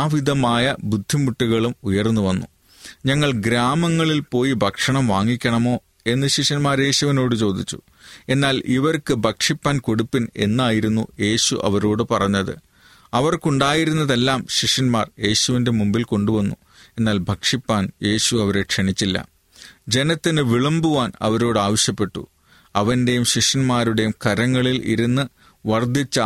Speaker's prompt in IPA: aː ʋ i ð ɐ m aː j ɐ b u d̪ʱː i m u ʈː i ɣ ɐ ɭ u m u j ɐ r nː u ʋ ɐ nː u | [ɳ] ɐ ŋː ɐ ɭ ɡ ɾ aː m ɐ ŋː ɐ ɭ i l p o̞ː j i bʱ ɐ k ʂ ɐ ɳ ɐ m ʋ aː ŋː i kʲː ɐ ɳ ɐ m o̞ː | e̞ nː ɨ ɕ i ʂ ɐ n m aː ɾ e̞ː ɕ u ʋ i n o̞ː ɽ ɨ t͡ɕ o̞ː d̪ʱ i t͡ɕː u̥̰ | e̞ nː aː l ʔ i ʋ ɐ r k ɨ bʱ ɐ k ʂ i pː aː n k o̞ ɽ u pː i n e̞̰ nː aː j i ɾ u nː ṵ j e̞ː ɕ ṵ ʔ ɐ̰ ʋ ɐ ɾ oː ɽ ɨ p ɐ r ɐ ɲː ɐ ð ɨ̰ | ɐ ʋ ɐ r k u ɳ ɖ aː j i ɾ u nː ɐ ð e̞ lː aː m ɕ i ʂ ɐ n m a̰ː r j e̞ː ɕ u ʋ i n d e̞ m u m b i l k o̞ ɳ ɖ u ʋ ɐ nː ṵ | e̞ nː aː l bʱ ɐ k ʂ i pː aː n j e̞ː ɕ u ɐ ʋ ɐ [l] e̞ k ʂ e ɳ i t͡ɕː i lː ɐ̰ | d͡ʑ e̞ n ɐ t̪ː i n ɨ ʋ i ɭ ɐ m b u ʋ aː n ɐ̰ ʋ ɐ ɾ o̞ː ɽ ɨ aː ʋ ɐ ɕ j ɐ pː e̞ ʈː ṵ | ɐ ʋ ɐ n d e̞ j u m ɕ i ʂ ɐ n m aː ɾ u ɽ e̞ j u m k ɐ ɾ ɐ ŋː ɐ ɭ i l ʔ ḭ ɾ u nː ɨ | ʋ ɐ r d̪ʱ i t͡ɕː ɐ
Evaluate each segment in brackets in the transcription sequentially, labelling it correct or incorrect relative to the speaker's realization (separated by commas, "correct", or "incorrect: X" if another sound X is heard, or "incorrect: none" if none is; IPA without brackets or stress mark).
incorrect: ɲ, incorrect: ɾ